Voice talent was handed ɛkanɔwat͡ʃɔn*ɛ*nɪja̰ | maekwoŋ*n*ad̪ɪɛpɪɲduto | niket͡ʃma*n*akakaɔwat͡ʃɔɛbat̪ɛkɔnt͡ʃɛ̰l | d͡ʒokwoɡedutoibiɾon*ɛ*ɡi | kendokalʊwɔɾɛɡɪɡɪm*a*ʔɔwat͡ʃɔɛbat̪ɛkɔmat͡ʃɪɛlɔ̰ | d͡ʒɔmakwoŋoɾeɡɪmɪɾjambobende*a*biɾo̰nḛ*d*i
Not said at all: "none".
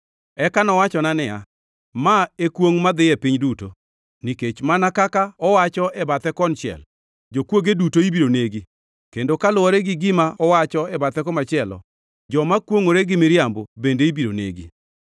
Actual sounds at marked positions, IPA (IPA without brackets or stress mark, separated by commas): a, m, n, e, a, i, ɡ